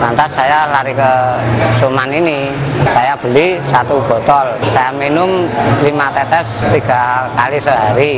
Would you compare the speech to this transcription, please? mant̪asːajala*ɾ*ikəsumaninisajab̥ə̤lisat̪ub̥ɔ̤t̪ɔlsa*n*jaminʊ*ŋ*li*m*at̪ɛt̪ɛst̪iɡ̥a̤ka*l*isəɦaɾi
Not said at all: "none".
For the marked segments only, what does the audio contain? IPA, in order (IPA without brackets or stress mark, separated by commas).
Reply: ɾ, none, m, m, l